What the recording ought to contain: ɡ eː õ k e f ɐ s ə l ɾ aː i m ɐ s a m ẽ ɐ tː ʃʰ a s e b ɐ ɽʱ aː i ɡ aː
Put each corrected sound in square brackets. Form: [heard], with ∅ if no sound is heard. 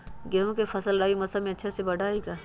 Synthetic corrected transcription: ɡ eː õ k e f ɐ s ə l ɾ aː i m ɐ s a m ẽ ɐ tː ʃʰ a s e b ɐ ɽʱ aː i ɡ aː